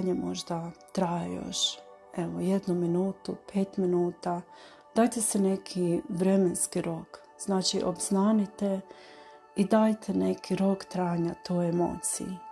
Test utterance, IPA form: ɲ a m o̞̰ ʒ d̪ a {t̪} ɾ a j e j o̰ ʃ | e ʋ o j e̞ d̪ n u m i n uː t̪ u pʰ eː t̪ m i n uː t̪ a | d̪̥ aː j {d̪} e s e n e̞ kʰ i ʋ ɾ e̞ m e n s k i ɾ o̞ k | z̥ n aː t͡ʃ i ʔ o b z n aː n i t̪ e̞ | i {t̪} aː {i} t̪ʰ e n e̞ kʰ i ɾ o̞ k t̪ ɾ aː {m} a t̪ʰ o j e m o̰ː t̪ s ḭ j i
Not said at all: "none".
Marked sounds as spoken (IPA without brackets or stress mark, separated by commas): t̪, t̪, d̪, j, ɲ